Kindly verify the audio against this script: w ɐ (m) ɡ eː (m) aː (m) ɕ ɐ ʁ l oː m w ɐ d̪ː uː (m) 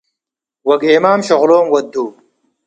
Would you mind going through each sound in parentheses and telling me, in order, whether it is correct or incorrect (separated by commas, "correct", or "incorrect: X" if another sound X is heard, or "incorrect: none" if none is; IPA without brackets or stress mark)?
incorrect: none, correct, correct, incorrect: none